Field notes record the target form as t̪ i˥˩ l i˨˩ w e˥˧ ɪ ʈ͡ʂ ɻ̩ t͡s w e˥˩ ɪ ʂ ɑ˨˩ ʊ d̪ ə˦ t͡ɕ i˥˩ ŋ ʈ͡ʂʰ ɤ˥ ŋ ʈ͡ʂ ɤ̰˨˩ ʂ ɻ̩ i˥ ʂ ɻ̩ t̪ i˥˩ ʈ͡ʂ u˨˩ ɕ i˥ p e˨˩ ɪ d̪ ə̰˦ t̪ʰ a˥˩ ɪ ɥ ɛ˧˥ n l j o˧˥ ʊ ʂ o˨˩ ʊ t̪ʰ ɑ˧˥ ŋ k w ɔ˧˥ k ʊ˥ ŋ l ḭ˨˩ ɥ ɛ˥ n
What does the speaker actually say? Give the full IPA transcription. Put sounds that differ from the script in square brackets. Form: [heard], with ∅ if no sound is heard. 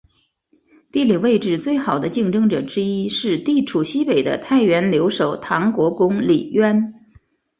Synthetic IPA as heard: t̪ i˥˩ l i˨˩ w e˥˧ ɪ ʈ͡ʂ ɻ̩ t͡s w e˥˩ ɪ [x] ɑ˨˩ ʊ d̪ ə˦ t͡ɕ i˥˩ ŋ [ʈ͡ʂ] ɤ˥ ŋ ʈ͡ʂ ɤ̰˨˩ [ʈ͡ʂ] ɻ̩ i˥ ʂ ɻ̩ t̪ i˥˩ [ʈ͡ʂʰ] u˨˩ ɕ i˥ p e˨˩ ɪ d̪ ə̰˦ t̪ʰ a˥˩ ɪ ɥ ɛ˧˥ n l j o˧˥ ʊ ʂ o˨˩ ʊ t̪ʰ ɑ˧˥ ŋ k w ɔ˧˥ k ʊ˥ ŋ l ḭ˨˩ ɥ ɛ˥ n